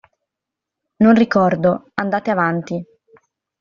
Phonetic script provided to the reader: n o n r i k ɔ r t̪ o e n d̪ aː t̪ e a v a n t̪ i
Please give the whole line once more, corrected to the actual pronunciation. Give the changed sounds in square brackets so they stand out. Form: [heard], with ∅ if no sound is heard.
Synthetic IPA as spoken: n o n r i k ɔ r [d̪] o [a] n d̪ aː t̪ e a v a n t̪ i